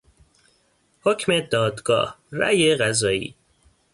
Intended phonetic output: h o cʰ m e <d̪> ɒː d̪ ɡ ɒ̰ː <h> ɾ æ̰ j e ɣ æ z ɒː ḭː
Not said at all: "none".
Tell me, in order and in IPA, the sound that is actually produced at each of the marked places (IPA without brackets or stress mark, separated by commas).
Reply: d̪, h